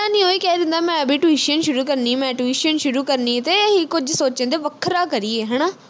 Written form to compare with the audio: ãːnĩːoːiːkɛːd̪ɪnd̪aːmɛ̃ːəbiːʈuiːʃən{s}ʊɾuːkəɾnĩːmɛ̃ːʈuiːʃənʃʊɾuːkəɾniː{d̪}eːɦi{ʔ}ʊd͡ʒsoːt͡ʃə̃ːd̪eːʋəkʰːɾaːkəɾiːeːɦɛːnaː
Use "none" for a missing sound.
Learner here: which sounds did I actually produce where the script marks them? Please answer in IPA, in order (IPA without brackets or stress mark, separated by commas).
ʃ, t̪, k